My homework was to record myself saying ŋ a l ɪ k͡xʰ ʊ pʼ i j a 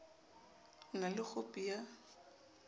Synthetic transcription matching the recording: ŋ a l ɪ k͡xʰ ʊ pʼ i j a